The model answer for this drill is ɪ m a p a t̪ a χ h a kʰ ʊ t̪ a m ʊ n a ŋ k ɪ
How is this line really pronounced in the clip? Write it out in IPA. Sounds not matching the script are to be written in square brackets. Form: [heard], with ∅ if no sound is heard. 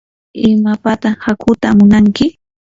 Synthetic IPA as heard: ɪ m a p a t̪ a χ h a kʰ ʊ t̪ a m ʊ n a ŋ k ɪ